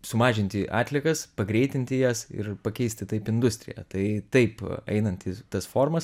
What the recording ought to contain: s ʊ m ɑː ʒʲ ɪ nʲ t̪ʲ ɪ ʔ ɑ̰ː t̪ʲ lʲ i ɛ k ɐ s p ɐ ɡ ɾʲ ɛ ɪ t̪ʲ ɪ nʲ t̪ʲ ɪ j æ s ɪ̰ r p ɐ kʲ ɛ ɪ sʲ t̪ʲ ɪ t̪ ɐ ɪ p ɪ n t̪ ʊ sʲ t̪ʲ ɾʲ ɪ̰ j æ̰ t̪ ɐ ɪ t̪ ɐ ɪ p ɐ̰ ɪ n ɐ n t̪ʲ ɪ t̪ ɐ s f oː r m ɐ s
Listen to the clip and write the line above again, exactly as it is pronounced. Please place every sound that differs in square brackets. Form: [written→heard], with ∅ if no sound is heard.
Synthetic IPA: s ʊ m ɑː ʒʲ ɪ nʲ t̪ʲ ɪ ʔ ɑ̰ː t̪ʲ lʲ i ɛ k ɐ s p ɐ ɡ ɾʲ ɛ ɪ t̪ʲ ɪ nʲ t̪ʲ ɪ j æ s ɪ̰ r p ɐ kʲ ɛ ɪ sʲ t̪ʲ ɪ t̪ ɐ ɪ p ɪ n [t̪→d̪] ʊ sʲ t̪ʲ ɾʲ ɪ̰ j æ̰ t̪ ɐ ɪ t̪ ɐ ɪ p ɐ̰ ɪ n ɐ n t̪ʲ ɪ t̪ ɐ s f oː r m ɐ s